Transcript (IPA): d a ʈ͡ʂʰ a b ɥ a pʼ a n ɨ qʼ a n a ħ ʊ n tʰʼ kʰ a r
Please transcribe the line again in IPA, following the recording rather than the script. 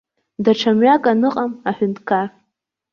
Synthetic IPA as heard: d a ʈ͡ʂʰ a m ɥ a kʼ a n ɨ qʼ a m a ħ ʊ n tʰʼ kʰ a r